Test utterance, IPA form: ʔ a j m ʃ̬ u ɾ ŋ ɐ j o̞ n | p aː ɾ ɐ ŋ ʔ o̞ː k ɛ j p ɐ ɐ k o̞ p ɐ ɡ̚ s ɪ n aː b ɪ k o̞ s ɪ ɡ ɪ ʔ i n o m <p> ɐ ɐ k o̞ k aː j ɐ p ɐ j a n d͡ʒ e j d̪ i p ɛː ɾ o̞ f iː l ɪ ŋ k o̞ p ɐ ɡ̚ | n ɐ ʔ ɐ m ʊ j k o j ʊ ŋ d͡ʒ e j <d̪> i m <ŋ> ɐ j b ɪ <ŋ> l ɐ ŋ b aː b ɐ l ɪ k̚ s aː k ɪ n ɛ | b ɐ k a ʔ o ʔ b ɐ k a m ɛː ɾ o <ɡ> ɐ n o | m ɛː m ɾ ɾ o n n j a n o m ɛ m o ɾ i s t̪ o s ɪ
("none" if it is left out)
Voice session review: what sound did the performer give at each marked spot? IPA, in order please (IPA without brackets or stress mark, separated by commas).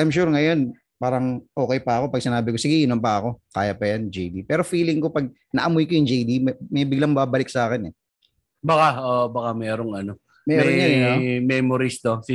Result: p, d̪, m, ɡ, ŋ